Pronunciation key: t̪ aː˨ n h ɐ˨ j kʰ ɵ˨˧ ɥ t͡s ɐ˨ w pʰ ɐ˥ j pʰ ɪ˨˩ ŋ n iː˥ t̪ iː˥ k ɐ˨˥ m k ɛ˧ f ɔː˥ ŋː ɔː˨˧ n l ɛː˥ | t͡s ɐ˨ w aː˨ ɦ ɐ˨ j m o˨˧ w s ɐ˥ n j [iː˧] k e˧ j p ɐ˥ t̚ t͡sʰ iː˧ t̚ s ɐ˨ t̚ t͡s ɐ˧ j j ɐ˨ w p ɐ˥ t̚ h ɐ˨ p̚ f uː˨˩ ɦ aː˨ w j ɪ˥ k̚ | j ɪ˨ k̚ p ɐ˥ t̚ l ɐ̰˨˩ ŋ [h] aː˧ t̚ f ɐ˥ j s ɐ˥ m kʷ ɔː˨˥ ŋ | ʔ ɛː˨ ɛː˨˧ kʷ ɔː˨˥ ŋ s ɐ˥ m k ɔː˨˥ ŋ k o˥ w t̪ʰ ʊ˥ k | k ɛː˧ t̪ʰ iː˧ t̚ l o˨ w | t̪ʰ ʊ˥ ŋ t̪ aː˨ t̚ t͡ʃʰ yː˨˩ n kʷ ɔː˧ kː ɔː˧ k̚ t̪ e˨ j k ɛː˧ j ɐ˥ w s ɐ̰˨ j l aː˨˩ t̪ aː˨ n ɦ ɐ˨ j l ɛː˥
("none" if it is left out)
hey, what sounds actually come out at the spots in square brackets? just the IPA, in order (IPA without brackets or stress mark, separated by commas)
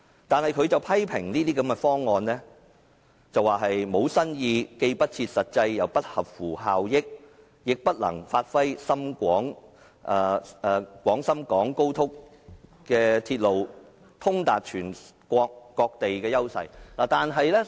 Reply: iː˧, f